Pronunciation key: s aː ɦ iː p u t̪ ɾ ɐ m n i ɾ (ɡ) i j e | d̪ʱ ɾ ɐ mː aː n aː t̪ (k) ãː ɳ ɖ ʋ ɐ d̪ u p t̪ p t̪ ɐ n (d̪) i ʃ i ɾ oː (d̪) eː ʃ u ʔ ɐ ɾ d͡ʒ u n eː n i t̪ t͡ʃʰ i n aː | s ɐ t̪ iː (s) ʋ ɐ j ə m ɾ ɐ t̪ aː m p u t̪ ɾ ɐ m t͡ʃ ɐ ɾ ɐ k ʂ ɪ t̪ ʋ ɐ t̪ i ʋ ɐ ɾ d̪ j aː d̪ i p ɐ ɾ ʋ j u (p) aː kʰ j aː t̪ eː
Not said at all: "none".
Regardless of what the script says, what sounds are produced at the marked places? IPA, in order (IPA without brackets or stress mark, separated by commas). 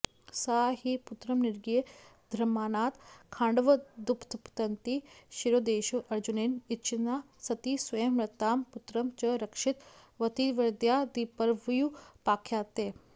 ɡ, kʰ, t̪, d̪, s, p